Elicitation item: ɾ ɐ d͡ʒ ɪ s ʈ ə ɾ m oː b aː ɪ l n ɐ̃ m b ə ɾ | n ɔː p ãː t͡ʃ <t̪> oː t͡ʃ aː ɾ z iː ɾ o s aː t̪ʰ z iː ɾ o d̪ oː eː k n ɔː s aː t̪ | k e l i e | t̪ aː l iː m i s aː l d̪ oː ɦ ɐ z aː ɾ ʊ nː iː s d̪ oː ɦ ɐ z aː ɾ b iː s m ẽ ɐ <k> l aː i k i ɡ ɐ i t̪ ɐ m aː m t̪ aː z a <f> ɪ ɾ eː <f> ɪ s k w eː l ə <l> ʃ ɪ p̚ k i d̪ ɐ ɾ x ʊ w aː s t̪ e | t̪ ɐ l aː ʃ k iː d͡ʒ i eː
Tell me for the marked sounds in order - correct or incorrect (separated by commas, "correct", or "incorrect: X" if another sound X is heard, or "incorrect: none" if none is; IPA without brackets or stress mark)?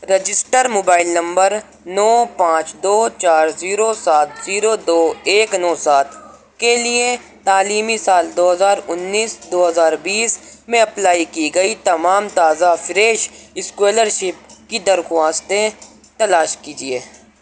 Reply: incorrect: d̪, incorrect: p, correct, incorrect: ʃ, incorrect: ɾ